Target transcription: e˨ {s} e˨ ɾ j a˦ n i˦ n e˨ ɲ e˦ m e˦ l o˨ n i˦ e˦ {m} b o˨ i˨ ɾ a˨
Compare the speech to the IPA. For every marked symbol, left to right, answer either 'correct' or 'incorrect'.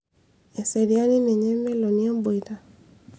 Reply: correct, correct

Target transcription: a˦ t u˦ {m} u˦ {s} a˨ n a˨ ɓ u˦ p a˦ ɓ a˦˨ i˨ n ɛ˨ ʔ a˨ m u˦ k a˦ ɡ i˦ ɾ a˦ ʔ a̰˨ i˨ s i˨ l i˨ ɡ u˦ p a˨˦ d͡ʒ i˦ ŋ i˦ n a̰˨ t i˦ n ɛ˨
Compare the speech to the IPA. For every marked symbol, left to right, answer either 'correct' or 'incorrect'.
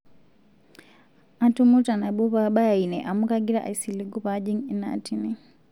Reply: correct, incorrect

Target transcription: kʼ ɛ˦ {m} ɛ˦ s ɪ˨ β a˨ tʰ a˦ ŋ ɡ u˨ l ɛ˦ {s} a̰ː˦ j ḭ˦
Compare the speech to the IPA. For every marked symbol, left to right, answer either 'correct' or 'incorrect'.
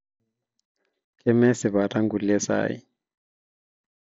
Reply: correct, correct

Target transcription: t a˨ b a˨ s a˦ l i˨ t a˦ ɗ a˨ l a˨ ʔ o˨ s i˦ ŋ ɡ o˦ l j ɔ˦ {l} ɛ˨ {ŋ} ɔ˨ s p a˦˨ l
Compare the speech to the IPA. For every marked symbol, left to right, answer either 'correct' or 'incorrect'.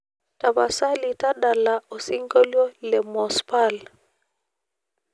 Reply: correct, incorrect

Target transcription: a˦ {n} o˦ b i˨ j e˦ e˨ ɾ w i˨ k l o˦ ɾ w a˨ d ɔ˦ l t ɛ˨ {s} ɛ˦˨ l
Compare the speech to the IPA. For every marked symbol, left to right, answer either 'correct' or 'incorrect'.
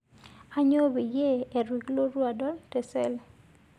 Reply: incorrect, correct

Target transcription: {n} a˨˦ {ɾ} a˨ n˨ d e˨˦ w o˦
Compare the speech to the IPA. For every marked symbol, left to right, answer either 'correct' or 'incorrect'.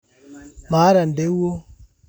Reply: incorrect, correct

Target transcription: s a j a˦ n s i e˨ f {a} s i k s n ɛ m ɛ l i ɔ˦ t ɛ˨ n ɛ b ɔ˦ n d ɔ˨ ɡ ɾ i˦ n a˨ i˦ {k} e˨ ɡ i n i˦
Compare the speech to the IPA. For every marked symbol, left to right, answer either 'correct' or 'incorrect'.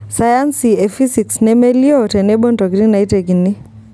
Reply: incorrect, incorrect

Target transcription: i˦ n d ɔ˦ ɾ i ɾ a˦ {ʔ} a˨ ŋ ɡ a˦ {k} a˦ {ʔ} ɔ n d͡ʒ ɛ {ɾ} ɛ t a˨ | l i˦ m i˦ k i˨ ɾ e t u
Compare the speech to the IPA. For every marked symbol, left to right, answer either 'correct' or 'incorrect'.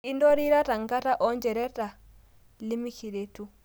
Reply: incorrect, incorrect, correct, correct

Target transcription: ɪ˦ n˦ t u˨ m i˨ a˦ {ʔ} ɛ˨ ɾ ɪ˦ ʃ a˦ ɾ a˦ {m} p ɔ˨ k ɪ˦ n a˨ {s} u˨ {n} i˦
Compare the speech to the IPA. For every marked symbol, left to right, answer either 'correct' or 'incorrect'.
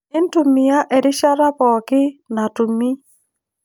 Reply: correct, incorrect, incorrect, incorrect

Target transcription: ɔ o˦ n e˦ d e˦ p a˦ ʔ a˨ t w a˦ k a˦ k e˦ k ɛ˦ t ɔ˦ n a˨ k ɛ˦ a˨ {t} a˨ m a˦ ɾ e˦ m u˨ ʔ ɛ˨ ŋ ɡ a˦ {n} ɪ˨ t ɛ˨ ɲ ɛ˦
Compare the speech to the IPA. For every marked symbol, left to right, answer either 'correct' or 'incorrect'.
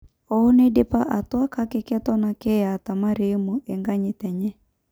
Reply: correct, incorrect

